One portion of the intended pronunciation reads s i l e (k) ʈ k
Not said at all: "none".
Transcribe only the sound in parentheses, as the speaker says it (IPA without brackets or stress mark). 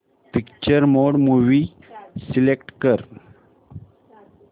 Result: k